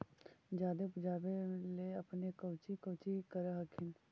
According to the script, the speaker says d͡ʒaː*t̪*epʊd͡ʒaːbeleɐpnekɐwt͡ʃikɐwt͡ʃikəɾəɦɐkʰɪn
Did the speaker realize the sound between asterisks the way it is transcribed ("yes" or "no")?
no